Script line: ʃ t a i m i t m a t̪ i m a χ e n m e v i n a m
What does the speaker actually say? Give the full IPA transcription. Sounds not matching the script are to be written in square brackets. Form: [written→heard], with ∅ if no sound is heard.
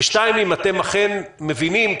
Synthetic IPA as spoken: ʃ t a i m i [t→∅] m a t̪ [i→e] m a χ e n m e v i n [a→i] m